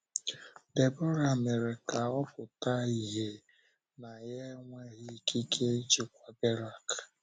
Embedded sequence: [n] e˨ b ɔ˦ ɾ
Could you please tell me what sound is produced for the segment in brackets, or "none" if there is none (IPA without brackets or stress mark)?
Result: d